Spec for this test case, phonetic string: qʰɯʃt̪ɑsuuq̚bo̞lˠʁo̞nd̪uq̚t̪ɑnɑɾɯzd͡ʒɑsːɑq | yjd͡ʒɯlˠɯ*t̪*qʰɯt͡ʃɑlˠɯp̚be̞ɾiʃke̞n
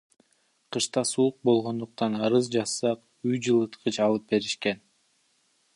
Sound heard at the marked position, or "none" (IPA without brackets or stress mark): t̪